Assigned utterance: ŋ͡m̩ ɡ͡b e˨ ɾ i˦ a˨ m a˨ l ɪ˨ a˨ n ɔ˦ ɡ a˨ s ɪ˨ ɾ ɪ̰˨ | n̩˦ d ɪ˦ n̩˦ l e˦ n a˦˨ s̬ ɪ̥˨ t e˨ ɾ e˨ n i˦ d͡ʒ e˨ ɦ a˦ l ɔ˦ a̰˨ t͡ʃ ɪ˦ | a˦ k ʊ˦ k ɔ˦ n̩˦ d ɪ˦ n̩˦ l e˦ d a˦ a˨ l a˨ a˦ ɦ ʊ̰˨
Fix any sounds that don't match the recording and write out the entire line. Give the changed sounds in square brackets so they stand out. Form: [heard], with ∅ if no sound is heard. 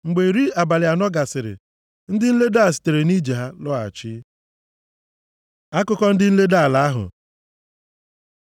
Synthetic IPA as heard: ŋ͡m̩ ɡ͡b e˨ ɾ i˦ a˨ [b] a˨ l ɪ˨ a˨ n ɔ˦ ɡ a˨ s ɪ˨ ɾ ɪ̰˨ | n̩˦ d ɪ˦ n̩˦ l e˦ [d] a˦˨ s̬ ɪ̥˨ t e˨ ɾ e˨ n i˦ d͡ʒ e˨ ɦ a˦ l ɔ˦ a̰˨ t͡ʃ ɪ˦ | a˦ k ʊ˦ k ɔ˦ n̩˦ d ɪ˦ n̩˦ l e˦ d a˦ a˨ l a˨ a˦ ɦ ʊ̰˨